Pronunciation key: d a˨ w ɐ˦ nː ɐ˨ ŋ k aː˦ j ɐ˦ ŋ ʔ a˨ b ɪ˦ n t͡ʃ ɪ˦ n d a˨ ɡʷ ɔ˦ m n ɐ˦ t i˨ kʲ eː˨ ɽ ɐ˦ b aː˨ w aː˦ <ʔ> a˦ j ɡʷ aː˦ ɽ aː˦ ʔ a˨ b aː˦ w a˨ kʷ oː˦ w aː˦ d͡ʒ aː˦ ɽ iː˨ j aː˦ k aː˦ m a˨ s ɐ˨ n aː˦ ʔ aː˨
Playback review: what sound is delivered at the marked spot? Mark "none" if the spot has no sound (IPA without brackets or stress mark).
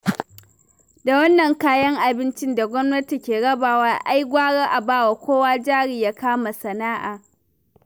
ʔ